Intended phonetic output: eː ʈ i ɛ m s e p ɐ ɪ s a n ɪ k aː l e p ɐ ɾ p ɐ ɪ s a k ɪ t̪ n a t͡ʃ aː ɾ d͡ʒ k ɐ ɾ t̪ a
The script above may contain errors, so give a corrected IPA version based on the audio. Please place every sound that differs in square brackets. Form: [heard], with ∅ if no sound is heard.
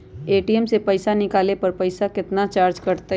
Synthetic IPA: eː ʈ i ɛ m s e p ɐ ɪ s a n ɪ k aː l e p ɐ ɾ p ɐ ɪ s a k ɪ t̪ n a t͡ʃ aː ɾ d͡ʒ k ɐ ɾ t̪ a